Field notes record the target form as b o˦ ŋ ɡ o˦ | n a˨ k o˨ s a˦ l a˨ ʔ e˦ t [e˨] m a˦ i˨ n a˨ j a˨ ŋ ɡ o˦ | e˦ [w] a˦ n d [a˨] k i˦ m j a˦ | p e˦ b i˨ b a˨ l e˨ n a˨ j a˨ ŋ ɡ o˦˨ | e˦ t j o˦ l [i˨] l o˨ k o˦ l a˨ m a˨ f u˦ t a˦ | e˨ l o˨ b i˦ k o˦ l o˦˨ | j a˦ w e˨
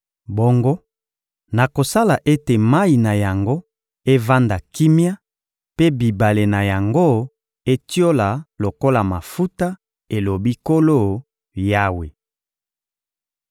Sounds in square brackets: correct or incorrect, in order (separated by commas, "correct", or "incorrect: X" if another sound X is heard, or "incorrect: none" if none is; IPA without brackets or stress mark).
correct, incorrect: v, correct, incorrect: a˨